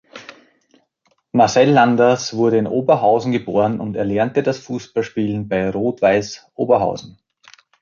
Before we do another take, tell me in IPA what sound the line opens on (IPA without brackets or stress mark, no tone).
m